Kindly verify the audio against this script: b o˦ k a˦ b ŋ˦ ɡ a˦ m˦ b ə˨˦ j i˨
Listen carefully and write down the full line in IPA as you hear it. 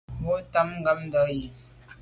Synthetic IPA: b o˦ t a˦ m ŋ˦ ɡ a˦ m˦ d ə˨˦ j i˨